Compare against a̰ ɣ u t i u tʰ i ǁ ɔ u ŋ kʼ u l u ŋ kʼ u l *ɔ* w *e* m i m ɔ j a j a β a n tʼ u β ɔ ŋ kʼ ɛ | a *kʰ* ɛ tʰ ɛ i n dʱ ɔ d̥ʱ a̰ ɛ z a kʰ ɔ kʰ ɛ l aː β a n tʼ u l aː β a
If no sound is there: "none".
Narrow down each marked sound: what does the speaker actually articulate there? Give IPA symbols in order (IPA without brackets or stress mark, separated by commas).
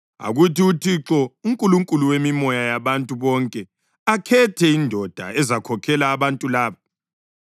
u, e, kʰ